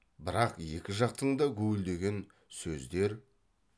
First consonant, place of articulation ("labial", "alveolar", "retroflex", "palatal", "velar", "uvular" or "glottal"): labial